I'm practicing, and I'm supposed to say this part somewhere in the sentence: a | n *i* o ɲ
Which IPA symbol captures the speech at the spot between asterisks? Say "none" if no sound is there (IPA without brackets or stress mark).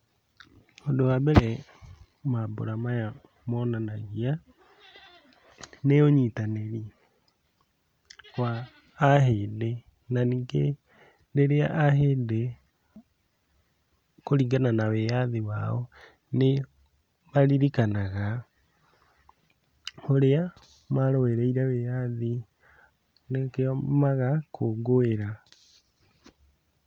e